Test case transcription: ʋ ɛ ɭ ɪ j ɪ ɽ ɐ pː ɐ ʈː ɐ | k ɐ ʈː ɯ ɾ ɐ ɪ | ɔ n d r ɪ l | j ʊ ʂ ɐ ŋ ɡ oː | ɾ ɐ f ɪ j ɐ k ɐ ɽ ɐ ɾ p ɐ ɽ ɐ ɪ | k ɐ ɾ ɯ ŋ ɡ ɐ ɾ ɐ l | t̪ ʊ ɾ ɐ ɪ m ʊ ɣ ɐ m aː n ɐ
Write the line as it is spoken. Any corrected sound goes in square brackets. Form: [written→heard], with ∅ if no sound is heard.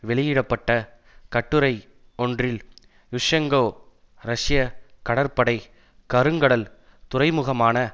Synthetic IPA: ʋ ɛ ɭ ɪ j ɪ ɽ ɐ pː ɐ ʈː ɐ | k ɐ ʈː ɯ ɾ ɐ ɪ | ɔ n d r ɪ l | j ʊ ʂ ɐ ŋ ɡ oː | ɾ ɐ [f→ʂ] ɪ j ɐ k ɐ ɽ ɐ ɾ p ɐ ɽ ɐ ɪ | k ɐ ɾ ɯ ŋ ɡ ɐ [ɾ→ɽ] ɐ l | t̪ ʊ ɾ ɐ ɪ m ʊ ɣ ɐ m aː n ɐ